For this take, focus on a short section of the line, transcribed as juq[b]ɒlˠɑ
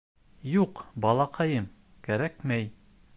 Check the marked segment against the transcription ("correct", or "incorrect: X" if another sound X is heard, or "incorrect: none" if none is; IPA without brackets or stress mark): correct